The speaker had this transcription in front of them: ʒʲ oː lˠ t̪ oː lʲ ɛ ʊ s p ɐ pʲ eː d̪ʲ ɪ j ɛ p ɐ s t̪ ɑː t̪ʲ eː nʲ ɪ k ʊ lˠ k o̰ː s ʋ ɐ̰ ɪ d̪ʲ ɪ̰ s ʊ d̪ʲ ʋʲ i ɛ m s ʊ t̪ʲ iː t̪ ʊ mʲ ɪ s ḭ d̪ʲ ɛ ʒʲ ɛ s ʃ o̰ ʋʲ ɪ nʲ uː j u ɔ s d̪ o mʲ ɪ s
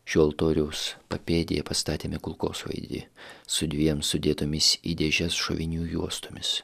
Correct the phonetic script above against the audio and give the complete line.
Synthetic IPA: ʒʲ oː lˠ t̪ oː ɾʲ ɛ ʊ s p ɐ pʲ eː d̪ʲ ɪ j ɛ p ɐ s t̪ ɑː t̪ʲ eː mʲ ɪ k ʊ lˠ k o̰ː s ʋ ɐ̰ ɪ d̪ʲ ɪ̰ s ʊ d̪ʲ ʋʲ i ɛ m s ʊ d̪ʲ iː t̪ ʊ mʲ ɪ s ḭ d̪ʲ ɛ ʒʲ ɛ s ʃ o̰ ʋʲ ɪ nʲ uː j u ɔ s t̪ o mʲ ɪ s